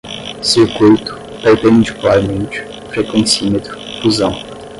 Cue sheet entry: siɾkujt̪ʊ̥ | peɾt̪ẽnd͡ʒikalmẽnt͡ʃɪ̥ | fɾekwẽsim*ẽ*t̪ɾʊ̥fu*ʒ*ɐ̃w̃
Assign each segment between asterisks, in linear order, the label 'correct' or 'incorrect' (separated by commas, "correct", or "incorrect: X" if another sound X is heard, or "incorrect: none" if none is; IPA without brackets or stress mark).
incorrect: e, incorrect: z